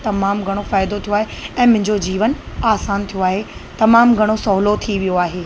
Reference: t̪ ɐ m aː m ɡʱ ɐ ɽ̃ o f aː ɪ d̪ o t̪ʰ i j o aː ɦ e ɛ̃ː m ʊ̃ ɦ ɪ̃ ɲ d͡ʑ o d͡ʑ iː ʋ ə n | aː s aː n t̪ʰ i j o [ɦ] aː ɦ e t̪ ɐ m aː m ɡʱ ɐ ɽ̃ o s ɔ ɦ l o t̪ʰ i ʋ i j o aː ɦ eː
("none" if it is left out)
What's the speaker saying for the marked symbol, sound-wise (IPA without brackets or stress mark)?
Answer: none